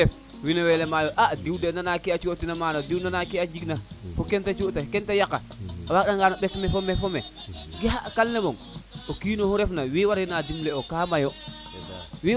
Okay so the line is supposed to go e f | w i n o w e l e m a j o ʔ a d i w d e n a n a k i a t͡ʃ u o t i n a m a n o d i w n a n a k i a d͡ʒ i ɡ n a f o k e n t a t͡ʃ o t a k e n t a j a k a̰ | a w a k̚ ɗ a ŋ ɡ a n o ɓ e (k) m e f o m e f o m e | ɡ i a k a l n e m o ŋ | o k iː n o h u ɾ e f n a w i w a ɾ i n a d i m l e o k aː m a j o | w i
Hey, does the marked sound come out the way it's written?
yes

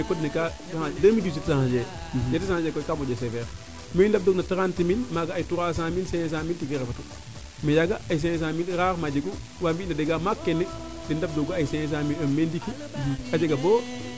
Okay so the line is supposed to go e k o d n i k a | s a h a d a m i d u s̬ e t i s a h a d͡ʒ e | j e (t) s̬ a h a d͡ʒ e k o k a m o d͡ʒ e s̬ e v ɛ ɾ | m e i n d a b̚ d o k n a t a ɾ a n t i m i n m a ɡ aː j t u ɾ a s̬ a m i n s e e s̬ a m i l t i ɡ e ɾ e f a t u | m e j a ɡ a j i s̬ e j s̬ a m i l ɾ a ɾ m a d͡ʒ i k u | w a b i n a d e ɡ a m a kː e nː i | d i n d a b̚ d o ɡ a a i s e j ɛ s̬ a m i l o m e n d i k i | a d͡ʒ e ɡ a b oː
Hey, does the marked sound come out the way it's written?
yes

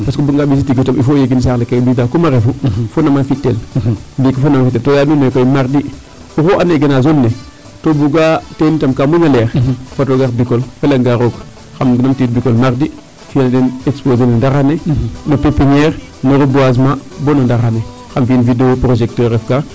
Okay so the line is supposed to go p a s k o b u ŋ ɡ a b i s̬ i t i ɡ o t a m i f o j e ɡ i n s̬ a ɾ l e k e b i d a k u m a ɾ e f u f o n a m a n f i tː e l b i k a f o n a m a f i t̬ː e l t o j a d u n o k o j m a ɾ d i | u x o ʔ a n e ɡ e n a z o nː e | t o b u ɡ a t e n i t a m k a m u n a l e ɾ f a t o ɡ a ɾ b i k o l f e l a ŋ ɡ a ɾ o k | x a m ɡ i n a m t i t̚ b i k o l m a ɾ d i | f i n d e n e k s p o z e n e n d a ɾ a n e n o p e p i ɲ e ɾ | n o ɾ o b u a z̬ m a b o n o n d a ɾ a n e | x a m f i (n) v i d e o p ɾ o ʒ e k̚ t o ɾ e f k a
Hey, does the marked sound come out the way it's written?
yes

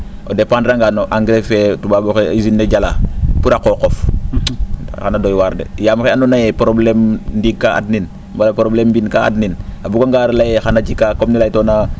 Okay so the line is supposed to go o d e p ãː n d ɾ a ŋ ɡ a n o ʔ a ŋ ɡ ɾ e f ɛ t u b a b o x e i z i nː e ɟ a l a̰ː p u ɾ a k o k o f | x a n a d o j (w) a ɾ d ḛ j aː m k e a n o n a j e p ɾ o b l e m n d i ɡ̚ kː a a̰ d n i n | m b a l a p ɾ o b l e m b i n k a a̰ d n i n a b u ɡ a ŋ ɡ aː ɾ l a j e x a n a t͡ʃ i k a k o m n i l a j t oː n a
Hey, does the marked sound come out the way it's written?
yes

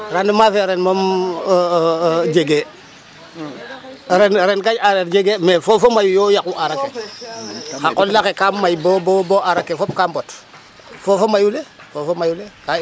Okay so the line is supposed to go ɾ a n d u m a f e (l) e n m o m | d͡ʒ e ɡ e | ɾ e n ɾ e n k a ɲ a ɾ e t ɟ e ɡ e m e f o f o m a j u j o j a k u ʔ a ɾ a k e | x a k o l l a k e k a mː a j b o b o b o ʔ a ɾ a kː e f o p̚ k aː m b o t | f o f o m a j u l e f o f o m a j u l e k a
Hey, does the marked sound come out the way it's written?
no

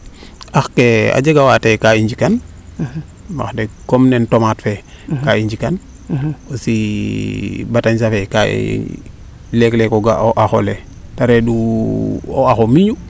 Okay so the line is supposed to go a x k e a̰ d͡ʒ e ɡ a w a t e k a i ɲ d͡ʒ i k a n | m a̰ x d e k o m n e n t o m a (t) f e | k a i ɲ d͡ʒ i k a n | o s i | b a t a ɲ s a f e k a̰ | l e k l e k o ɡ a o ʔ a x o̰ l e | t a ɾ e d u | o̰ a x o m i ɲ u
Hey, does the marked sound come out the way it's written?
yes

